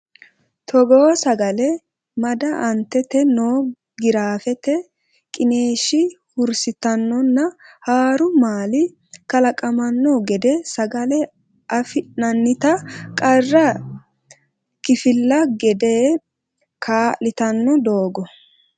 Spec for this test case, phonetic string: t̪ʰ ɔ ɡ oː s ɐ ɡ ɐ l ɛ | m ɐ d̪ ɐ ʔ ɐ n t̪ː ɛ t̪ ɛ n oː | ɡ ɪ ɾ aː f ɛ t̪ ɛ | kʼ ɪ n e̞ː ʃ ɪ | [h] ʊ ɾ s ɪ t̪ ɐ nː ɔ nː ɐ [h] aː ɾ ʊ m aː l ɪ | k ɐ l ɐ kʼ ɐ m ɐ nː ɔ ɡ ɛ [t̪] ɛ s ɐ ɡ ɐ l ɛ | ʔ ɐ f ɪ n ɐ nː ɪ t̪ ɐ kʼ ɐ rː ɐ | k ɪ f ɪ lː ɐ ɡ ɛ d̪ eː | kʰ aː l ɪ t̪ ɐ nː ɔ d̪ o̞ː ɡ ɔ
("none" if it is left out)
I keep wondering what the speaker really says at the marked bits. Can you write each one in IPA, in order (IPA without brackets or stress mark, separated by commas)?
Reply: h, h, d̪